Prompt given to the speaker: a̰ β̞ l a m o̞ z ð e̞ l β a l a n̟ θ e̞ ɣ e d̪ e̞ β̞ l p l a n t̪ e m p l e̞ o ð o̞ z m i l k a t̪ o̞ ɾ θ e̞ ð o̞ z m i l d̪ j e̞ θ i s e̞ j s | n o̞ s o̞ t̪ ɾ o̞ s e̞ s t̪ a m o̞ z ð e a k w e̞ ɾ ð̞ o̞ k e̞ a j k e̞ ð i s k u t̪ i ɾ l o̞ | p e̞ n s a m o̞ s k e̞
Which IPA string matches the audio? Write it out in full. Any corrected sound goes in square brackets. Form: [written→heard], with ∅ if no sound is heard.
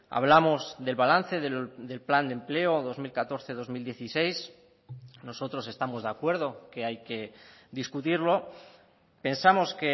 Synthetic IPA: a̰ β̞ l a m o̞ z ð e̞ l β a l a n̟ θ e̞ [ɣ→ð] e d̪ e̞ [β̞→∅] l p l a n [t̪→d̪] e m p l e̞ o ð o̞ z m i l k a t̪ o̞ ɾ θ e̞ ð o̞ z m i l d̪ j e̞ θ i s e̞ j s | n o̞ s o̞ t̪ ɾ o̞ s e̞ s t̪ a m o̞ z ð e a k w e̞ ɾ ð̞ o̞ k e̞ a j k e̞ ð i s k u t̪ i ɾ l o̞ | p e̞ n s a m o̞ s k e̞